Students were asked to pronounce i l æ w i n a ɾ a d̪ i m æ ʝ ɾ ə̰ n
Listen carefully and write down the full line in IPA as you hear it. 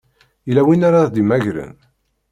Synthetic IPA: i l æ w i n a ɾ a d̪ i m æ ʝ ɾ ə̰ n